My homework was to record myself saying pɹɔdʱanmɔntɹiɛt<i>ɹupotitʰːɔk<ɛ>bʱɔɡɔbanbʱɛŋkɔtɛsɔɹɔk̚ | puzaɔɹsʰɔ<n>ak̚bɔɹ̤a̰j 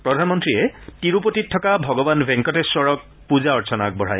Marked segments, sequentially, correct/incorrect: correct, incorrect, correct

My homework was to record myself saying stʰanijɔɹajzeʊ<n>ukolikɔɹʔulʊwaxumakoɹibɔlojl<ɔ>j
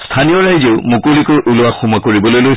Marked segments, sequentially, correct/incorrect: incorrect, incorrect

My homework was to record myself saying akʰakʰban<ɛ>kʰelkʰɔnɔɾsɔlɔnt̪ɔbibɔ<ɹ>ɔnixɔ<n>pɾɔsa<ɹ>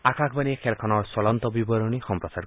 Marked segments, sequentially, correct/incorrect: incorrect, incorrect, incorrect, incorrect

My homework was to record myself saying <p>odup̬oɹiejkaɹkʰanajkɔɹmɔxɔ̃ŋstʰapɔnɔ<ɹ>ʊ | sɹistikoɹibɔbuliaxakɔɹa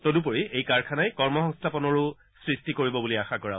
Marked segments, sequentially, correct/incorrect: incorrect, correct

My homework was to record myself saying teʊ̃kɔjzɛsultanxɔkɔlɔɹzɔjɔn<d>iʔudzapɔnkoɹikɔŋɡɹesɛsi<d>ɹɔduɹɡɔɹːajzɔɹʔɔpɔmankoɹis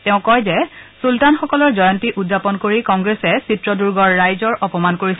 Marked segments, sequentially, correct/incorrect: incorrect, incorrect

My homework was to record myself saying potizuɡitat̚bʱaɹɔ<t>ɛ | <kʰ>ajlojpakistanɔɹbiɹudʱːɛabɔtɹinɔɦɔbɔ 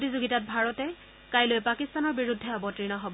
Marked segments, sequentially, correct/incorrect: correct, incorrect

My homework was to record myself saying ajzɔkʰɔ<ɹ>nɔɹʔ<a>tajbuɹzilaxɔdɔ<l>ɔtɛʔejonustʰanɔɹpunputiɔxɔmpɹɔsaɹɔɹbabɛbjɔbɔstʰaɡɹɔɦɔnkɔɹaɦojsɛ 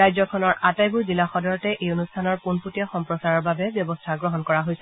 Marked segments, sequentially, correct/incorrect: incorrect, correct, incorrect

